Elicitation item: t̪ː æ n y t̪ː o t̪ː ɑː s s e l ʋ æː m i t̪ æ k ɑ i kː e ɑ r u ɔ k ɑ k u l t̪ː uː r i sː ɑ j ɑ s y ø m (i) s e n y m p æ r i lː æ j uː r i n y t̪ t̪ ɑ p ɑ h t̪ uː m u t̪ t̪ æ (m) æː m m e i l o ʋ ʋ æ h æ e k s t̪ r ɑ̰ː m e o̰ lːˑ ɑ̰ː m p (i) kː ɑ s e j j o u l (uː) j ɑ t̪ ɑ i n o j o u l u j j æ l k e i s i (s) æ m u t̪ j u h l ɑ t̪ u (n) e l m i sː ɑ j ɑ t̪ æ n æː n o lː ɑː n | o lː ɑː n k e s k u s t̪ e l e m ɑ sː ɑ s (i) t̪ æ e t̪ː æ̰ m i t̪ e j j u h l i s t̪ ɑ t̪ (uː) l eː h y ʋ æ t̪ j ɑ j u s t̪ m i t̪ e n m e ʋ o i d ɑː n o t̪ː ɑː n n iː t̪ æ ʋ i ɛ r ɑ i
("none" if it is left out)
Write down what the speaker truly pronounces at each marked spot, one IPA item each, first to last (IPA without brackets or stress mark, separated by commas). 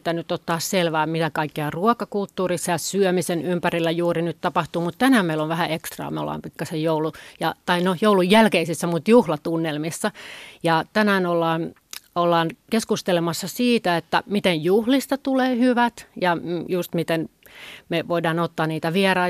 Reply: i, n, i, u, sː, nː, iː, u